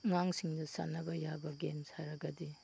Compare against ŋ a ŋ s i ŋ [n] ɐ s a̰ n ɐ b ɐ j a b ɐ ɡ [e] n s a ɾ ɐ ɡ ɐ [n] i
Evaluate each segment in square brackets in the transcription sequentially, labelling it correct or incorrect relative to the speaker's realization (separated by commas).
incorrect, correct, incorrect